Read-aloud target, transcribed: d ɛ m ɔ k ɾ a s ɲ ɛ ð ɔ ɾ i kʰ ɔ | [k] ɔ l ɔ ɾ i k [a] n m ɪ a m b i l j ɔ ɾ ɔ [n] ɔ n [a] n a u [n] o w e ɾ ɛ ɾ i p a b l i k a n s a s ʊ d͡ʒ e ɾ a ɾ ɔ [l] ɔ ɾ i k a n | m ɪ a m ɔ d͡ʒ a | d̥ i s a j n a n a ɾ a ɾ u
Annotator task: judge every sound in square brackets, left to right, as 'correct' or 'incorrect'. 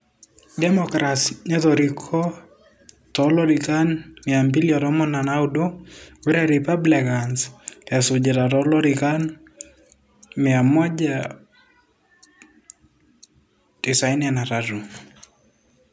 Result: incorrect: t, correct, incorrect: m, correct, incorrect: d, correct

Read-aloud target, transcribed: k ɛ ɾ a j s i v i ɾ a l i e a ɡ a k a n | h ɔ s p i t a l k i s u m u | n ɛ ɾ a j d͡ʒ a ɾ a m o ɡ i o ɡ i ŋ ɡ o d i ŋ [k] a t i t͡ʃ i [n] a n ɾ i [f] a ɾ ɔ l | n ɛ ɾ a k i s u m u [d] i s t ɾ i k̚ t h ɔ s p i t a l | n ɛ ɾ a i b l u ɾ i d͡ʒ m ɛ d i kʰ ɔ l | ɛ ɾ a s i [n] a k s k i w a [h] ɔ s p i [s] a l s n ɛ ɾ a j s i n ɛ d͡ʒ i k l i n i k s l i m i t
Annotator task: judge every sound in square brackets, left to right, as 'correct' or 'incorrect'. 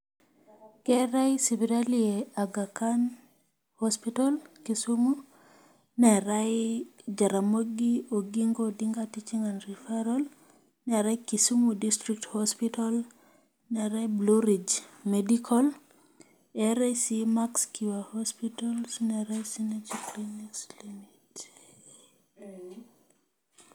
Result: incorrect: ɡ, incorrect: ŋ, correct, correct, incorrect: m, correct, incorrect: t

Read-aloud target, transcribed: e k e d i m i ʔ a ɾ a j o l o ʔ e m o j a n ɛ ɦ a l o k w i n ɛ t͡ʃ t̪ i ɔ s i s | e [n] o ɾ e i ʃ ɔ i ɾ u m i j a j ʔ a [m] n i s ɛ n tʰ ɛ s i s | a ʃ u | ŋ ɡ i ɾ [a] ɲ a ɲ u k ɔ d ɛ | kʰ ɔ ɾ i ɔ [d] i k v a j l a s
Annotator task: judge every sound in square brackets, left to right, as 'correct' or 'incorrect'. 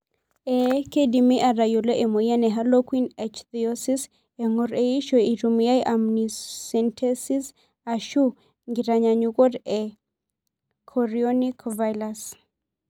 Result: incorrect: ŋ, correct, correct, incorrect: n

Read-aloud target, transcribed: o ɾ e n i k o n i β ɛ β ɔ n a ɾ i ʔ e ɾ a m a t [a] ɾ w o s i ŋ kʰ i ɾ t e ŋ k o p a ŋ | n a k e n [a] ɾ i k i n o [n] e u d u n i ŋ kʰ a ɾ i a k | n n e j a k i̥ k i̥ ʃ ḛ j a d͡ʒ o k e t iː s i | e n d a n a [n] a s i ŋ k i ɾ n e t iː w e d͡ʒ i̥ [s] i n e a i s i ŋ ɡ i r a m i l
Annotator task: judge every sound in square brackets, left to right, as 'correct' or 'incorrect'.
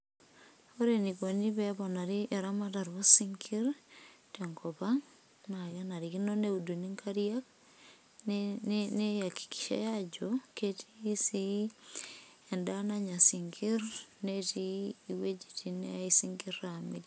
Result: correct, correct, correct, incorrect: ɲ, incorrect: t

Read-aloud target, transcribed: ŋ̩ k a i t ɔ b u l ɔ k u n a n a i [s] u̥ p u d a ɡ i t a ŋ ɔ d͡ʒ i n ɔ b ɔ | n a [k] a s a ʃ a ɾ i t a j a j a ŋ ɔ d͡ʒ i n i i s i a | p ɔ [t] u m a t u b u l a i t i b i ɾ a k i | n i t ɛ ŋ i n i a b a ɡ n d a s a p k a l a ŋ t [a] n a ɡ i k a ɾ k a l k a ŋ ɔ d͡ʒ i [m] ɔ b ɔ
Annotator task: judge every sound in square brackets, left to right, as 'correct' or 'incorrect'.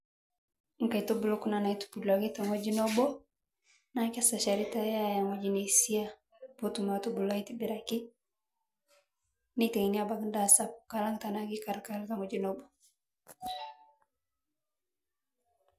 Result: incorrect: t, correct, correct, correct, incorrect: n

